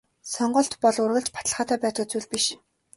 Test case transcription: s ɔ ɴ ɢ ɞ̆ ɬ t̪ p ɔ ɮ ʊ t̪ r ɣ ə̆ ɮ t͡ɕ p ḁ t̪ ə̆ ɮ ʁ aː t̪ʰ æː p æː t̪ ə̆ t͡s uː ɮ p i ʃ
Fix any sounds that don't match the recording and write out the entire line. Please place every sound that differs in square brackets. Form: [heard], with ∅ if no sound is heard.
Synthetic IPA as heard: s ɔ ɴ ɢ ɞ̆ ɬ t̪ p ɔ ɮ ʊ [∅] r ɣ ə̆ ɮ t͡ɕ p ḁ t̪ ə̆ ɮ [χ] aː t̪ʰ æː p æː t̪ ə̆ t͡s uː ɮ p i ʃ